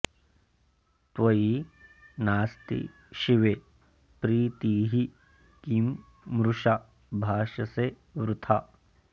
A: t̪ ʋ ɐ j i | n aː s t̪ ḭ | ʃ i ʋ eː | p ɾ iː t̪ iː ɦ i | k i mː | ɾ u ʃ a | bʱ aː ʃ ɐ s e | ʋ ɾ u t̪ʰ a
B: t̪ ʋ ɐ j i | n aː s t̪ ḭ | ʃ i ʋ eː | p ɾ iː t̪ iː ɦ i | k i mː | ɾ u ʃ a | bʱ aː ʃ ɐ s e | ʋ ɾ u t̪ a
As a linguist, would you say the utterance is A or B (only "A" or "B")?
A